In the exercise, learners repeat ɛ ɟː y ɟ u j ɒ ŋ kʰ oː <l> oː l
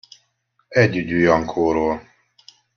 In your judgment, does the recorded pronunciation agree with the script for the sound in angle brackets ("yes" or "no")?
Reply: no